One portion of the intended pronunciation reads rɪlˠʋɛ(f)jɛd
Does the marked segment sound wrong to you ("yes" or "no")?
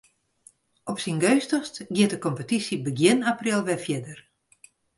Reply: no